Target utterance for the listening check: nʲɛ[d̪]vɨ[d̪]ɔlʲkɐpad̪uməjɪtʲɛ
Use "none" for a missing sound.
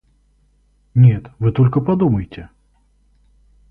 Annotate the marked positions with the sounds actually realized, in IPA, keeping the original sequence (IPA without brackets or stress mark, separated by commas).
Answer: t̪, t̪